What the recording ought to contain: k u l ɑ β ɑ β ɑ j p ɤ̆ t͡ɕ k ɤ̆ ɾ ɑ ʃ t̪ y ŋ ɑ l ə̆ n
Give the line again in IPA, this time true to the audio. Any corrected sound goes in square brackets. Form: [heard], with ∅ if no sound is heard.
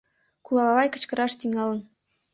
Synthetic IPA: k u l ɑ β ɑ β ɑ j [k] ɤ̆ t͡ɕ k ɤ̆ ɾ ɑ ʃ t̪ y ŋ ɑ l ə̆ n